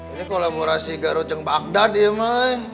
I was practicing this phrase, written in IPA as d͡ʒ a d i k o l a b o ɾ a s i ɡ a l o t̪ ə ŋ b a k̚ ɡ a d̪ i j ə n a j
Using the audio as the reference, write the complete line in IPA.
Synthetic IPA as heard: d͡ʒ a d i k o l a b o ɾ a s i ɡ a ɾ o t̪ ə ŋ b a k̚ d a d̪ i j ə m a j